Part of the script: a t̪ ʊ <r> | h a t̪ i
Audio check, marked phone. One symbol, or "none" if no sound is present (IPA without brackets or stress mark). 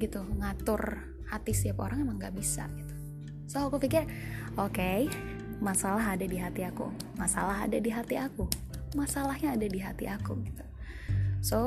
r